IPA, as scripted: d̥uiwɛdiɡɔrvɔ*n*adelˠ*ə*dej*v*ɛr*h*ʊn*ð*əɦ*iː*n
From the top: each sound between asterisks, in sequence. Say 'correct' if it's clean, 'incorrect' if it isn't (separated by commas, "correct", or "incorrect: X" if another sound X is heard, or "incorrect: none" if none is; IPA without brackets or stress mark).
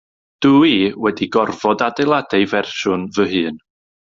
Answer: incorrect: d, incorrect: a, correct, incorrect: ʃ, incorrect: v, incorrect: ɨː